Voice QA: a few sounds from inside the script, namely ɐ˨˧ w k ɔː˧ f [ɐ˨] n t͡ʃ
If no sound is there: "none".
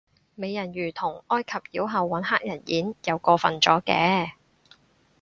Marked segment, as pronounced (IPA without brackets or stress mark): ɐ˨